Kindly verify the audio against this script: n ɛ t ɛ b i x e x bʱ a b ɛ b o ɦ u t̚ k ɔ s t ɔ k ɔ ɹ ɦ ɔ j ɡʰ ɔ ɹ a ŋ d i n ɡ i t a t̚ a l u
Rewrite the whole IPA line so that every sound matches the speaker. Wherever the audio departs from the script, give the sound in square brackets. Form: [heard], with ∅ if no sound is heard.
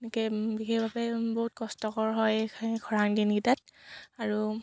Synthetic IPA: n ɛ [k] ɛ b i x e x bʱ a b ɛ b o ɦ u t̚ k ɔ s t ɔ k ɔ ɹ ɦ ɔ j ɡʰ ɔ ɹ a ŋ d i n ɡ i t a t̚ a [ɹ] u